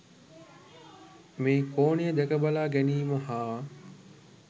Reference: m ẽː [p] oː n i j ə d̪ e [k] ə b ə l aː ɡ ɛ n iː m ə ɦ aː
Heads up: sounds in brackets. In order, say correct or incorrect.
incorrect: k, correct

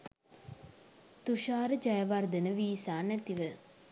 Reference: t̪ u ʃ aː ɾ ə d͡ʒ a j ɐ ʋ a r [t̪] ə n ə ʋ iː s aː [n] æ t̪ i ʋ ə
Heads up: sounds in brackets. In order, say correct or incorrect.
incorrect: d̪, correct

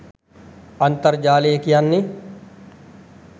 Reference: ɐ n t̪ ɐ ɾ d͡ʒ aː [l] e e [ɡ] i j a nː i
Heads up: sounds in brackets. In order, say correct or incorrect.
correct, incorrect: k

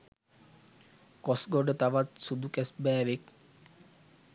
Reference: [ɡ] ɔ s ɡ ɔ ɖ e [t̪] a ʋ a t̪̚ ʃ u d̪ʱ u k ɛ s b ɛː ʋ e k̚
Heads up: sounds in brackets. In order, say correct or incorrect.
incorrect: k, correct

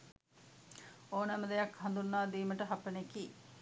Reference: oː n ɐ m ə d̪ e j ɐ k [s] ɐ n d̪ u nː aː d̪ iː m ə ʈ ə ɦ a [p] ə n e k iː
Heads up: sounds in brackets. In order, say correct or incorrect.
incorrect: h, correct

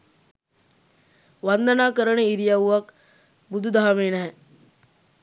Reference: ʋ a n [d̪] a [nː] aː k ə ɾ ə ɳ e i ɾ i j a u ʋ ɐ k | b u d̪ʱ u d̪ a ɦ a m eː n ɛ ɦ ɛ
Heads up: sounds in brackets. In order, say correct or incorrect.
correct, incorrect: n

